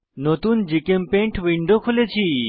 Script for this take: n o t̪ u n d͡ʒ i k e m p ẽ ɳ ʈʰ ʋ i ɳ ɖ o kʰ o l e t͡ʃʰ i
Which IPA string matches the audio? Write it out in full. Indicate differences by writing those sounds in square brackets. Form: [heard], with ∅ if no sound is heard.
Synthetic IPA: n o t̪ u n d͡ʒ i k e m p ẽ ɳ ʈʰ ʋ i ɳ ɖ o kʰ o l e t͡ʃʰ i